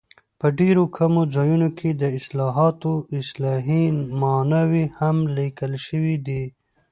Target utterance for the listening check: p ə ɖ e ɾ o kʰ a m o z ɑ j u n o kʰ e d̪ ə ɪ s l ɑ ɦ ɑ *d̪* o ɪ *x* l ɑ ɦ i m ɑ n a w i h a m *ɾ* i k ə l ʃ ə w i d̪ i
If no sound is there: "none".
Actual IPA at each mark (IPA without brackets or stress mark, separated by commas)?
t̪, s, l